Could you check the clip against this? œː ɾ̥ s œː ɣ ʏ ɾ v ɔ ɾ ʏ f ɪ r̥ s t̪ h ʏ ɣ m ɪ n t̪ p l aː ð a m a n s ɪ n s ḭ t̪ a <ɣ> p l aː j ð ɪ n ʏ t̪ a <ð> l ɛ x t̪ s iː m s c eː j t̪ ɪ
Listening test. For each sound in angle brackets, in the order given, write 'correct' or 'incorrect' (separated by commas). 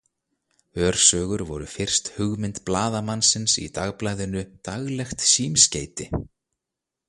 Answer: correct, incorrect